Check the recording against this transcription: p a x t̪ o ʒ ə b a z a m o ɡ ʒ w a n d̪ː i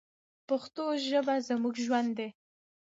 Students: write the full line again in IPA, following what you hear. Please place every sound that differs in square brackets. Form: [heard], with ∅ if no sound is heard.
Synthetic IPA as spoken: p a x t̪ o ʒ ə b a z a m [u] ɡ ʒ w a n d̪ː [e]